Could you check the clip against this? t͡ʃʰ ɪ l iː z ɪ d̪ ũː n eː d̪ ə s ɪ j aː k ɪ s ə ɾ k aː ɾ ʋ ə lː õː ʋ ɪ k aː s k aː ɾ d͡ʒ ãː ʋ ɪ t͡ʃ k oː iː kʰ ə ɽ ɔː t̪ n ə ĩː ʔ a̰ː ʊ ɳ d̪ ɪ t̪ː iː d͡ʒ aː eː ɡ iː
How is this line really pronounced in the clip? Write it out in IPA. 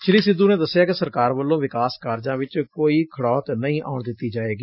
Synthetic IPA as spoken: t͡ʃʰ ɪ l iː s ɪ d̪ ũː n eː d̪ ə s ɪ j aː k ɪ s ə ɾ k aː ɾ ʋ ə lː õː ʋ ɪ k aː s k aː ɾ d͡ʒ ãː ʋ ɪ t͡ʃ k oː iː kʰ ə ɽ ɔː t̪ n ə ĩː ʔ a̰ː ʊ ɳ d̪ ɪ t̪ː iː d͡ʒ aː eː ɡ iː